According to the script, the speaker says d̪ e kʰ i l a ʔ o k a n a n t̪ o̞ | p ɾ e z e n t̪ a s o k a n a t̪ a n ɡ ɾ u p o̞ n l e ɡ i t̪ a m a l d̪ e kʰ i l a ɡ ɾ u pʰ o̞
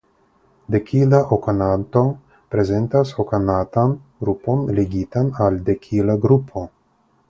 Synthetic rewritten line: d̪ e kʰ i l a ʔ o k a n a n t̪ o̞ | p ɾ e z e n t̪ a s o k a n a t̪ a n ɡ ɾ u p o̞ n l e ɡ i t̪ a n a l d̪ e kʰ i l a ɡ ɾ u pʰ o̞